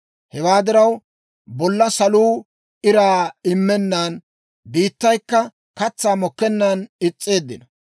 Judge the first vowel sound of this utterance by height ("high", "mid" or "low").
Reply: mid